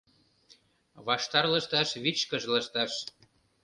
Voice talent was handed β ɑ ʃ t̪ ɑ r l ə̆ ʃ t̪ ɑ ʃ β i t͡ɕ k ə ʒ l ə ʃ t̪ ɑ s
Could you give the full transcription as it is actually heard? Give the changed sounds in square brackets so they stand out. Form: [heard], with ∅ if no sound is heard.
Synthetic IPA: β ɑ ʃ t̪ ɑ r l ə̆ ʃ t̪ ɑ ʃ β i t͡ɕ k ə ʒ l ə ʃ t̪ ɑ [ʃ]